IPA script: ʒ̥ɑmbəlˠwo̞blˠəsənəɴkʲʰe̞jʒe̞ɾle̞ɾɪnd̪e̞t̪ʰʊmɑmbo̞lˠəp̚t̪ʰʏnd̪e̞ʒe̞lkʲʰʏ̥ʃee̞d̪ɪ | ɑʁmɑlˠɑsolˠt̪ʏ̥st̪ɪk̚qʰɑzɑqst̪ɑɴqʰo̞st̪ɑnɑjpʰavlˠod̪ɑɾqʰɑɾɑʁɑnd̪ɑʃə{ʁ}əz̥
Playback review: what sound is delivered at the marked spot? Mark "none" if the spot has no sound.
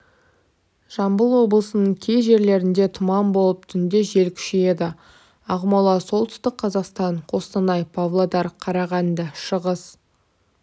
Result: ʁ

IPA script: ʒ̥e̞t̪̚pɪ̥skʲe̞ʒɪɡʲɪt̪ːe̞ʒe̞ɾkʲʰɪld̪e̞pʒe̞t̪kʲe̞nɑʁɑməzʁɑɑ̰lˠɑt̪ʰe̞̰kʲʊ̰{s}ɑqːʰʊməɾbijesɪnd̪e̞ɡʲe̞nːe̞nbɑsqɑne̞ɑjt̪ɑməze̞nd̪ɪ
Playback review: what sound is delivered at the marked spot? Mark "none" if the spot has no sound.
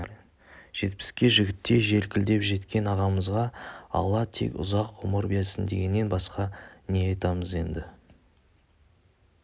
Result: z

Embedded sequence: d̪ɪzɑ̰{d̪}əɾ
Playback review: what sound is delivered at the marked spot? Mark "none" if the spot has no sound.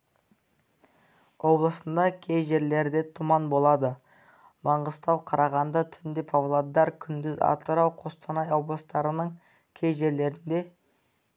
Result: t̪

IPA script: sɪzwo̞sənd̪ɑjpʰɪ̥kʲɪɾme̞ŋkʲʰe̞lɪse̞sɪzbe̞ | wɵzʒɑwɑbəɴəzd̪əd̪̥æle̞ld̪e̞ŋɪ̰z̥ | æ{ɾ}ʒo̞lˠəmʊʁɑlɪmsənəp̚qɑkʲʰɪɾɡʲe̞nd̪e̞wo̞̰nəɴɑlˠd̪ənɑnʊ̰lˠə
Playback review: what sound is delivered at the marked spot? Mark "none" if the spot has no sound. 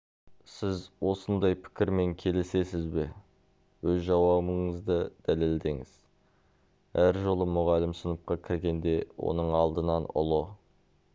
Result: ɾ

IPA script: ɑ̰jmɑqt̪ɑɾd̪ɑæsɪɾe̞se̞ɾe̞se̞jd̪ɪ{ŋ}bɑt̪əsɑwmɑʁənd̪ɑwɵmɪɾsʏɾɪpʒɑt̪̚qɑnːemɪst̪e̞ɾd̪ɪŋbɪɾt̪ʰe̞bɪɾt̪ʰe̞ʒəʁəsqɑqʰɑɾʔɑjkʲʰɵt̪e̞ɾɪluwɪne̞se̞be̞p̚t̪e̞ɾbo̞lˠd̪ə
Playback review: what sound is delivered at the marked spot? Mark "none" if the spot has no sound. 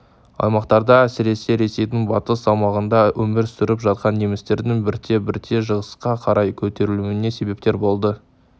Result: ŋ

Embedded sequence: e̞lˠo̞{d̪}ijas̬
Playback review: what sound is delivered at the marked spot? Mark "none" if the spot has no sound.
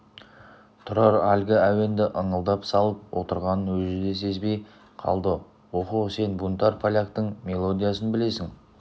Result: d̪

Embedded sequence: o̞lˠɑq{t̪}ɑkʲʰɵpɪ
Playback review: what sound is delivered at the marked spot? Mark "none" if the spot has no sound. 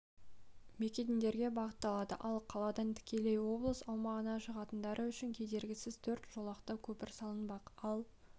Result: t̪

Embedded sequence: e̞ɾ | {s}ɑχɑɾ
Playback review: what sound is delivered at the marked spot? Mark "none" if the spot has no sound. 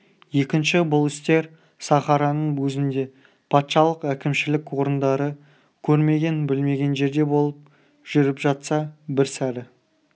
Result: s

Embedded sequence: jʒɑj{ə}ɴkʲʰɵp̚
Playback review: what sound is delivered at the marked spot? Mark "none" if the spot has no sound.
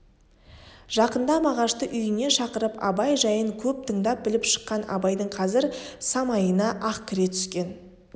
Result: ə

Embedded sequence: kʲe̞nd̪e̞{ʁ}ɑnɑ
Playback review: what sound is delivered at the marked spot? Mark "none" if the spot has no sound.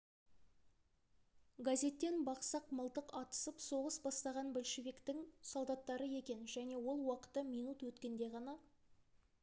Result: ʁ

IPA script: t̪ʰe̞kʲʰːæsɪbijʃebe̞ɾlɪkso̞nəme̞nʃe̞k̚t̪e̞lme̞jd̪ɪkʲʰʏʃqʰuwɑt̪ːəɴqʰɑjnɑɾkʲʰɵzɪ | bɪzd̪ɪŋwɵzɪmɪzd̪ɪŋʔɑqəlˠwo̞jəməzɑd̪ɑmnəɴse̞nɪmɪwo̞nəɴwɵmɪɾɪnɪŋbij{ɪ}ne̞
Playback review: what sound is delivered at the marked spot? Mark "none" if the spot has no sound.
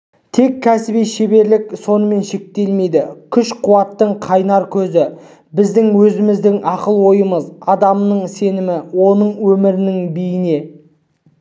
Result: ɪ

